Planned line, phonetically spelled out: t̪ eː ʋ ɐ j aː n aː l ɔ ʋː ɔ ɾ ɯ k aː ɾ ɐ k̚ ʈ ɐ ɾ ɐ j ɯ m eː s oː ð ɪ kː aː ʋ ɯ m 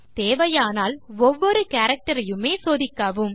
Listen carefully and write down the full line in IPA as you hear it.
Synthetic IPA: t̪ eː ʋ ɐ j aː n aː l ɔ ʋː ɔ ɾ ɯ k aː ɾ ɐ k̚ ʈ ɐ ɾ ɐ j ɯ m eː s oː ð ɪ kː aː ʋ ɯ m